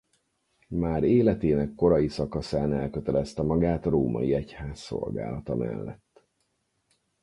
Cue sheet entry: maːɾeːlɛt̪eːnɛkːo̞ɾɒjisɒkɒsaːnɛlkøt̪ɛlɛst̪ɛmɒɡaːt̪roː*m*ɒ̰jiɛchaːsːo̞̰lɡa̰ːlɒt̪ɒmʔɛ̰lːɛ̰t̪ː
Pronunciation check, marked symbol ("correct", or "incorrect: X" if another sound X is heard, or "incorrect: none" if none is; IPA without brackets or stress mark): correct